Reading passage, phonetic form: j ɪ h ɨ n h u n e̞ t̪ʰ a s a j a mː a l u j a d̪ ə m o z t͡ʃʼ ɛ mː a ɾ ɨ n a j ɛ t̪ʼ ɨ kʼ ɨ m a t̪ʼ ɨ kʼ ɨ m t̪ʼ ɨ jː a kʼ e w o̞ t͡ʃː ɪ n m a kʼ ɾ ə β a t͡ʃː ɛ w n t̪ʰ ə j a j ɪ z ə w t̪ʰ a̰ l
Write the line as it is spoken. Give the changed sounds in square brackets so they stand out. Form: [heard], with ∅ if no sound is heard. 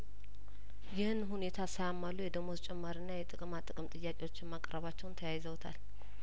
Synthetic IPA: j ɪ h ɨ n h u n e̞ t̪ʰ a s a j a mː a l u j [ɛ] d̪ ə m o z t͡ʃʼ ɛ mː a ɾ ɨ [nː] a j ɛ t̪ʼ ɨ kʼ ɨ m a t̪ʼ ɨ kʼ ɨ m t̪ʼ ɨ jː a kʼ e w o̞ t͡ʃː ɪ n m a kʼ ɾ ə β a t͡ʃː ɛ w n t̪ʰ ə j a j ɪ z ə w t̪ʰ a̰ l